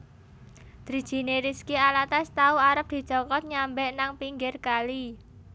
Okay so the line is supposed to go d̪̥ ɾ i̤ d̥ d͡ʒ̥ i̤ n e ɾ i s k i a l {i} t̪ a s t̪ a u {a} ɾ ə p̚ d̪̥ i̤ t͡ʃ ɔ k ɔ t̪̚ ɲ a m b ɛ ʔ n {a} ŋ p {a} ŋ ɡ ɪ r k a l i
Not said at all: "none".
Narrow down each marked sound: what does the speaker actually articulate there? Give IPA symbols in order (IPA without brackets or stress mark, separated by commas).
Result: a, a, a, i